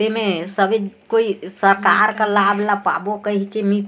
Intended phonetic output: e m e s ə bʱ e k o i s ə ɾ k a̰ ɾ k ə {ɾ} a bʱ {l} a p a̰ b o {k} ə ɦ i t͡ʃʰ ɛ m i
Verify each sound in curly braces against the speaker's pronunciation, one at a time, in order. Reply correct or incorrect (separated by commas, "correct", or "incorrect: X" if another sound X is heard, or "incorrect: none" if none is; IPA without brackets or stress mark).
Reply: incorrect: l, correct, correct